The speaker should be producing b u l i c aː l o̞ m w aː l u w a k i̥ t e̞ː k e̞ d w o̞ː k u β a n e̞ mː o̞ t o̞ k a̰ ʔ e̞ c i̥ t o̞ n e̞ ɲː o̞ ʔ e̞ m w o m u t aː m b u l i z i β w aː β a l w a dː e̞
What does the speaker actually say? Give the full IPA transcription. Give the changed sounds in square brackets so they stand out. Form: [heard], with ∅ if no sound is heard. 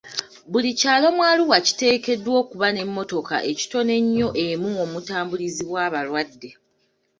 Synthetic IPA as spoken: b u l i c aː l o̞ m w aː l u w a [c] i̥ t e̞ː k e̞ d w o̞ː k u β a n e̞ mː o̞ t o̞ k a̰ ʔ e̞ c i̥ t o̞ n e̞ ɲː o̞ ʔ e̞ m [u] o m u t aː m b u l i z i β w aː β a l w a dː e̞